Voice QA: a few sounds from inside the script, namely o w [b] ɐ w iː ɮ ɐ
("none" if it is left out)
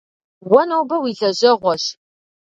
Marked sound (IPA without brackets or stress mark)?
b